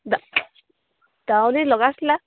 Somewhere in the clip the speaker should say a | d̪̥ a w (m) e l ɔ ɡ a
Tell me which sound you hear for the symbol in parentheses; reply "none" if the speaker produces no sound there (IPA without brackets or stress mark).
n